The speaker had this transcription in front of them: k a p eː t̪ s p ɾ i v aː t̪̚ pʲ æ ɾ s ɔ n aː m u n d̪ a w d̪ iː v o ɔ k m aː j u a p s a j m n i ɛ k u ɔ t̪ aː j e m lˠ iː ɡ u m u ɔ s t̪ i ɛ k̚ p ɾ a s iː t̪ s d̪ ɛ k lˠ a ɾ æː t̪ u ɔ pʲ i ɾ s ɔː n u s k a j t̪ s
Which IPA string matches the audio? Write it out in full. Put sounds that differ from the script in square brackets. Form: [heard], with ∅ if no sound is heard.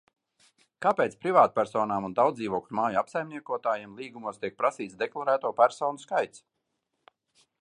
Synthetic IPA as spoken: k a p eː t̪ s p ɾ i v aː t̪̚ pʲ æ ɾ s [ɔː] n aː m u n d̪ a w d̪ iː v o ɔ k m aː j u a p s a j m n i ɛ k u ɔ t̪ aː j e m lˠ iː ɡ u m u ɔ s t̪ i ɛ k̚ p ɾ a s iː t̪ s d̪ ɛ k lˠ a ɾ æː t̪ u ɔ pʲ [æ] ɾ s ɔː n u s k a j t̪ s

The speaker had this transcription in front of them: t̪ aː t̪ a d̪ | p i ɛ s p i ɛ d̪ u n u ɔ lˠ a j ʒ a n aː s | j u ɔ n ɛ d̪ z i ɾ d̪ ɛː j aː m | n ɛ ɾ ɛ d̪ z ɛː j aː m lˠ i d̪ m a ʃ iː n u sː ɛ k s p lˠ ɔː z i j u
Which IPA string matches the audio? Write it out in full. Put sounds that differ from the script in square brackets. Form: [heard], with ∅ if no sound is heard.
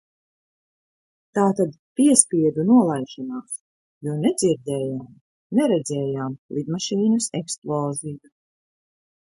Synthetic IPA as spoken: t̪ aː t̪ a d̪ | p i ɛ s p i ɛ d̪ u n u ɔ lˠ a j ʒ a n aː s | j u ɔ n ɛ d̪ z i ɾ d̪ ɛː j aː m | n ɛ ɾ ɛ d̪ z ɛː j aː m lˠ i d̪ m a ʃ iː n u [s] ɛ k s p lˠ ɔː z i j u

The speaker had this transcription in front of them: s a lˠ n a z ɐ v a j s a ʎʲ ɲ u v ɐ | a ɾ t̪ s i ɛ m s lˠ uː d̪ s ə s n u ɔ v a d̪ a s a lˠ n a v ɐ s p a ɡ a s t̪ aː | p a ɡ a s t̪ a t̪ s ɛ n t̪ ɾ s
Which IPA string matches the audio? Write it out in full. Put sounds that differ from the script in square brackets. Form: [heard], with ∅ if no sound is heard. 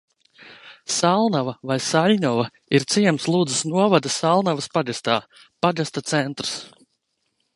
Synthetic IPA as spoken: s a lˠ n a [v] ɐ v a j s a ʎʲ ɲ [ɔ] v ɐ | [i] ɾ t̪ s i ɛ m s lˠ uː d̪ [z] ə s n u ɔ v a d̪ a s a lˠ n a v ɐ s p a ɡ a s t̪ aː | p a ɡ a s t̪ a t̪ s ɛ n t̪ ɾ s

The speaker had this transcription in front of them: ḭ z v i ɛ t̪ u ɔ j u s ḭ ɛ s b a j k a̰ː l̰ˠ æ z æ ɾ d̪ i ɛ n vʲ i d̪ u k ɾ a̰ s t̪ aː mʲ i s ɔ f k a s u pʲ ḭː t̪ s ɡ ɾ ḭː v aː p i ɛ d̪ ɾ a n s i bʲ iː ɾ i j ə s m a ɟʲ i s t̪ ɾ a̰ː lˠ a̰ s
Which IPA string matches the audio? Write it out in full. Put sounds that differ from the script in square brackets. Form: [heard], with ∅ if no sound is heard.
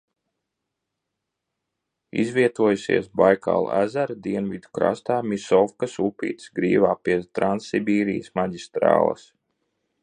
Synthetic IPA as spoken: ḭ z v i ɛ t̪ u ɔ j u s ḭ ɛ s b a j k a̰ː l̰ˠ æ z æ ɾ d̪ i ɛ n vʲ i d̪ u k ɾ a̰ s t̪ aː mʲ i s ɔ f k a s u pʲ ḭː t̪ s ɡ ɾ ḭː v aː p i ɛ [t̪] ɾ a n s i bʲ iː ɾ i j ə s m a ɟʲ i s t̪ ɾ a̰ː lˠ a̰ s

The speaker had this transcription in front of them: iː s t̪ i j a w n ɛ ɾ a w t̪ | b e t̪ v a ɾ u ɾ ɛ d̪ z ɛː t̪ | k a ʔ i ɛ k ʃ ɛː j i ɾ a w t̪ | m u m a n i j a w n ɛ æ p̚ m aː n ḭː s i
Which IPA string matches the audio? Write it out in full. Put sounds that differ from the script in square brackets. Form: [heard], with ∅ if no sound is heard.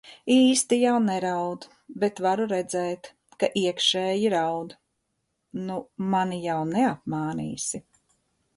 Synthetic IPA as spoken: iː s t̪ i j a w n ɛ ɾ a w [d̪] | b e t̪ v a ɾ u ɾ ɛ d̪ z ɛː t̪ | k a ʔ i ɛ k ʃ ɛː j i ɾ a w [d̪] | [n] u m a n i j a w n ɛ [a] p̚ m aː n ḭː s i

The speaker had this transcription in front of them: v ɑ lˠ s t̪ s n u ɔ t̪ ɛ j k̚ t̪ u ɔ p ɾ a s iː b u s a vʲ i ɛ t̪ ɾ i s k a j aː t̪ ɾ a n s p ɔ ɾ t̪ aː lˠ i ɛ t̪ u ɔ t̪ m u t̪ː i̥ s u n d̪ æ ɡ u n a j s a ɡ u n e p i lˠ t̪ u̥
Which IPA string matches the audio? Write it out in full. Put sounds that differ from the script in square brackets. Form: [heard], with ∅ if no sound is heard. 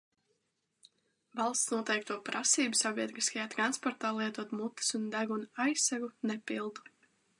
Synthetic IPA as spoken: v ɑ lˠ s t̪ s n u ɔ t̪ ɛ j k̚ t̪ u ɔ p ɾ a s iː b u s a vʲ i ɛ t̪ ɾ i s k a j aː t̪ ɾ a n s p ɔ ɾ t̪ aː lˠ i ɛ t̪ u ɔ t̪ m u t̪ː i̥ s u n d̪ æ ɡ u n a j s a ɡ u n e p i lˠ [d̪] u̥

